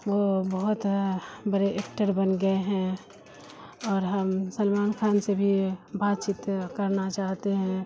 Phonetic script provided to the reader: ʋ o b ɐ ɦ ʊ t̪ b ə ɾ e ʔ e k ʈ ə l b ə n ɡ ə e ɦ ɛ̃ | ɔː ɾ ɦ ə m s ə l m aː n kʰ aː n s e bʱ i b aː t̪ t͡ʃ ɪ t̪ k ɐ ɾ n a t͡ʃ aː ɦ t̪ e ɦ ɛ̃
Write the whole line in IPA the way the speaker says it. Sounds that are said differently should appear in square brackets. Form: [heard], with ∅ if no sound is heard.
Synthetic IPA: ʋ o b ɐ ɦ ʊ t̪ b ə ɾ e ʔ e k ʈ ə [ɾ] b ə n ɡ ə e ɦ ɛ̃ | ɔː ɾ ɦ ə m s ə l m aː n kʰ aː n s e bʱ i b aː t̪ t͡ʃ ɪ t̪ k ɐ ɾ n a t͡ʃ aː ɦ t̪ e ɦ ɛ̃